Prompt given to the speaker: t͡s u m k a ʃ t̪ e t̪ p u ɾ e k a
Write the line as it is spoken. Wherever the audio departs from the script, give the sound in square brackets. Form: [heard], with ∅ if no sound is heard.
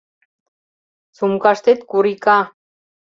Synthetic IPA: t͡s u m k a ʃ t̪ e t̪ [k] u ɾ [i] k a